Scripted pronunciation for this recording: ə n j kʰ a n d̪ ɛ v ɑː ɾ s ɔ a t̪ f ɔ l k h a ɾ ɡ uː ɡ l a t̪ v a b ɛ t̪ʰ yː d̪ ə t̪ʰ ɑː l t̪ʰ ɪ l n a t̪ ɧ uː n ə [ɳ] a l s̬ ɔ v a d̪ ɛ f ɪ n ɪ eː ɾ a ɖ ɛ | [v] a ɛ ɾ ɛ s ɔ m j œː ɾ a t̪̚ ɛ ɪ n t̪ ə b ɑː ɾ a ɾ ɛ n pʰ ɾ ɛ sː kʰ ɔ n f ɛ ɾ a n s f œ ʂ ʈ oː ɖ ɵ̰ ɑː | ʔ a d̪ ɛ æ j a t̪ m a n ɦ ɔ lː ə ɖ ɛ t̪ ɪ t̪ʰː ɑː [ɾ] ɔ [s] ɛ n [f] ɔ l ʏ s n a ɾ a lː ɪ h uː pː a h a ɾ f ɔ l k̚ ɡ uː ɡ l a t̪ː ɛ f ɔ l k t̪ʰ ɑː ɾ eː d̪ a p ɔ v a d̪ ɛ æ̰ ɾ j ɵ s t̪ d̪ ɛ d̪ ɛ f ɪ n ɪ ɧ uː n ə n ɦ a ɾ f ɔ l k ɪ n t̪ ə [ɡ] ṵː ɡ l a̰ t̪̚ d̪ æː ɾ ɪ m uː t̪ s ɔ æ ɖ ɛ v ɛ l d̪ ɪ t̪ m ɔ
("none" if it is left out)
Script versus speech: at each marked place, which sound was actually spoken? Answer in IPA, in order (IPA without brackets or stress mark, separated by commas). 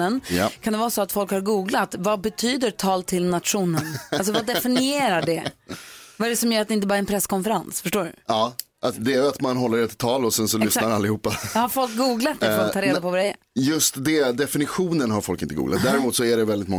n, v, l, s, s, ɡ